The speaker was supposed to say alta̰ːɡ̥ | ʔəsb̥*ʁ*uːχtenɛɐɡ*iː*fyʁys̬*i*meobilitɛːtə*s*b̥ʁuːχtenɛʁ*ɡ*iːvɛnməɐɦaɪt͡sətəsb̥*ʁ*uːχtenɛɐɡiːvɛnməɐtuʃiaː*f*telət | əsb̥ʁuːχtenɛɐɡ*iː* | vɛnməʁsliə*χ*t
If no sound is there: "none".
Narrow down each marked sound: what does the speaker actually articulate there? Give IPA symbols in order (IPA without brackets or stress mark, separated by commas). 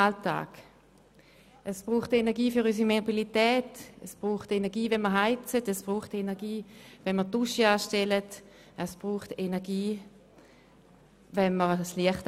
ʁ, iː, i, s, ɡ, ʁ, ʃ, iː, χ